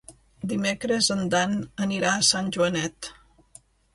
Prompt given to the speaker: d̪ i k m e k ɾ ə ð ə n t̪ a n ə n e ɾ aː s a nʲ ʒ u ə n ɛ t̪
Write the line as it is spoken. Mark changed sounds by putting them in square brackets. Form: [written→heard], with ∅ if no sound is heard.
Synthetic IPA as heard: d̪ i [k→∅] m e k ɾ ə [ð→z] ə n [t̪→d̪] a n ə n [e→i] ɾ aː s a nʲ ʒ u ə n ɛ t̪